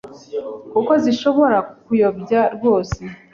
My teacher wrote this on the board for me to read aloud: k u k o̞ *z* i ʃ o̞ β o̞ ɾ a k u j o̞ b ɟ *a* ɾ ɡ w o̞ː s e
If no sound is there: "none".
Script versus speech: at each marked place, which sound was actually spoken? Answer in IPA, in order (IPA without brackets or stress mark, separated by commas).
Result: z, a